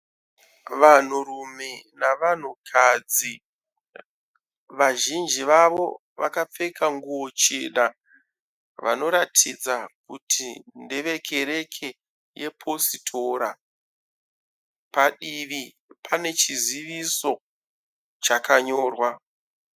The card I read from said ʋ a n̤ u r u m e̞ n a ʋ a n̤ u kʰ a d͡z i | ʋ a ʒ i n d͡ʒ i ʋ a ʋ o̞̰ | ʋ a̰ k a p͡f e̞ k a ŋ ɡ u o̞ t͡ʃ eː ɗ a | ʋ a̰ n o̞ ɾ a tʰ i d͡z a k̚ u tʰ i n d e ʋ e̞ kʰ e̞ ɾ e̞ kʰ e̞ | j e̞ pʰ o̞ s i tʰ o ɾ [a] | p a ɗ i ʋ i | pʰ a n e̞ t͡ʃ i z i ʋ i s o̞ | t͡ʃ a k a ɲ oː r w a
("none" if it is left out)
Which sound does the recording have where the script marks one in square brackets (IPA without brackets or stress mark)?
a